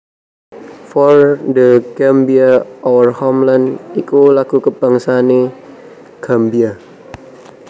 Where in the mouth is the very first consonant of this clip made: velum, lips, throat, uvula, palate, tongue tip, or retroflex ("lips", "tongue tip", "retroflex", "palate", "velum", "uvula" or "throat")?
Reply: lips